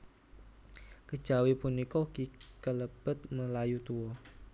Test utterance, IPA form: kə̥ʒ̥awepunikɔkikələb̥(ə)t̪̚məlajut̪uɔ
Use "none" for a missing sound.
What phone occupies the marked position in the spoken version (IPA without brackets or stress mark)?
ə